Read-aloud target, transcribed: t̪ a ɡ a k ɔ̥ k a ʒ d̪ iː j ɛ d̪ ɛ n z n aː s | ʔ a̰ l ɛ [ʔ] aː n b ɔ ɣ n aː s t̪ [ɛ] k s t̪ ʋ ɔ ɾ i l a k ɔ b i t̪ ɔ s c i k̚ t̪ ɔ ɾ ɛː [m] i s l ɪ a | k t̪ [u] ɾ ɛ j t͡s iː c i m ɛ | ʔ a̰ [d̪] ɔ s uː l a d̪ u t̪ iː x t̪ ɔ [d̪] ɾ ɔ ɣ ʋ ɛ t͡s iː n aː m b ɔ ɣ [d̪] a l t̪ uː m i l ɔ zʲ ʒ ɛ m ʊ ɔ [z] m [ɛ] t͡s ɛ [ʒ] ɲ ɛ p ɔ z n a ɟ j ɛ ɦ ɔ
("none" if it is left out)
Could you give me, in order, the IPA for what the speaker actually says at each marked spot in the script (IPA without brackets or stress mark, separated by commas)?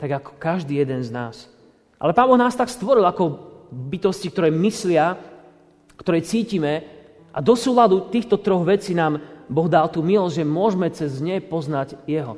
p, a, m, ɔ, d̪, t̪, d̪, ʒ, ɛ, z